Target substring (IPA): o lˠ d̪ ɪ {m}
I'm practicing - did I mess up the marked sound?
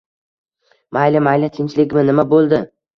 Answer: yes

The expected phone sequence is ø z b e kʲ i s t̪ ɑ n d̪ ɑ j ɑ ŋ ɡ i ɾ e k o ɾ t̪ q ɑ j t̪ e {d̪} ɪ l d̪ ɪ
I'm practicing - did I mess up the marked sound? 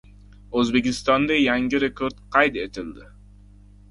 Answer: yes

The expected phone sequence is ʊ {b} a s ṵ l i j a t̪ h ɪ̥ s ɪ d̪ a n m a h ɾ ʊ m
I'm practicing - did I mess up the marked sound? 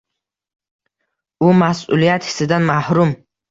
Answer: yes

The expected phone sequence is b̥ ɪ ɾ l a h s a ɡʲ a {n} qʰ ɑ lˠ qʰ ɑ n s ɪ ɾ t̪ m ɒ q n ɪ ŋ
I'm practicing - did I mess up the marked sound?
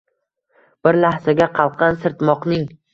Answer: yes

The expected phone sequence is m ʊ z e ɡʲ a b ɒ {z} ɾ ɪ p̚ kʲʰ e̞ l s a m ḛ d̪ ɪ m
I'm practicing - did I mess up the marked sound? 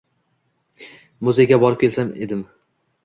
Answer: yes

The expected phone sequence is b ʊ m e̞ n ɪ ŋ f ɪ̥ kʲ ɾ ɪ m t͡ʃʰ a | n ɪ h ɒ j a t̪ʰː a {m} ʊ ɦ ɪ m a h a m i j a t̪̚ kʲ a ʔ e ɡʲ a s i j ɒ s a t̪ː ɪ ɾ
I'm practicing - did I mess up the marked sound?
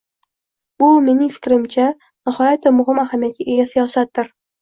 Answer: no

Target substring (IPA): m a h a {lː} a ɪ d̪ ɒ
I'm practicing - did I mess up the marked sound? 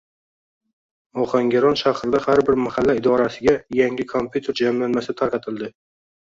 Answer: no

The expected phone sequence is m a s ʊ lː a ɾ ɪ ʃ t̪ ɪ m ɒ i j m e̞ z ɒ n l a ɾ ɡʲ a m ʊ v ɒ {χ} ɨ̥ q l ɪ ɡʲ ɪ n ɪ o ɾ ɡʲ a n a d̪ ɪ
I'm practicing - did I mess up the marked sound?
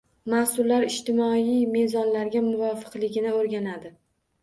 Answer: yes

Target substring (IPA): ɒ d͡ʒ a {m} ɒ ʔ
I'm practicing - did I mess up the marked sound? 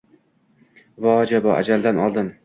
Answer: yes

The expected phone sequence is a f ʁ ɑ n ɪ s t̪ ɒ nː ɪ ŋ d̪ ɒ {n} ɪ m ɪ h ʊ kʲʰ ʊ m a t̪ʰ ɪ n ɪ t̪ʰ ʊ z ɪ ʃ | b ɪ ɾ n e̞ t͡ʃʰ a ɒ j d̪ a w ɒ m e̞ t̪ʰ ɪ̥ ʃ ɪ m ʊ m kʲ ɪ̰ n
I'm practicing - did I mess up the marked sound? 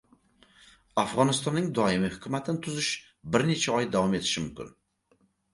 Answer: yes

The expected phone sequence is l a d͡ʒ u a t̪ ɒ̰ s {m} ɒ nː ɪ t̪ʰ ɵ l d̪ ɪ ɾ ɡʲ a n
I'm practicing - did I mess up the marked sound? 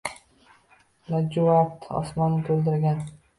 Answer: no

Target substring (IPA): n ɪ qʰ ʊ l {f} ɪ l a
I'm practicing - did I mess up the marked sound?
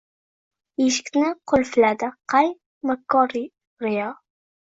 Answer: no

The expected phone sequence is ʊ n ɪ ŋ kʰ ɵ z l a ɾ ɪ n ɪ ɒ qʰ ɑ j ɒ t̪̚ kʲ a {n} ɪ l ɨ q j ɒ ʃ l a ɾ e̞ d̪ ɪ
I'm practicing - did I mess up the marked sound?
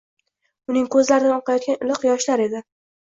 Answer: no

